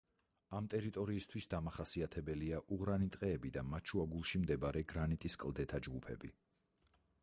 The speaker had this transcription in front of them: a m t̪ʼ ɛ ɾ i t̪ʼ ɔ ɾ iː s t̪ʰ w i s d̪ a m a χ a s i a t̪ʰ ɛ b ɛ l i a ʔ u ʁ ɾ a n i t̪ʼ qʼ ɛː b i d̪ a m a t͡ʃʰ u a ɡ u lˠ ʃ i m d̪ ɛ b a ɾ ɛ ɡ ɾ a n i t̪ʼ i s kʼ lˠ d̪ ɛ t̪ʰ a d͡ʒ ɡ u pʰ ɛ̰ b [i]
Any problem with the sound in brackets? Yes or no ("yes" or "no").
no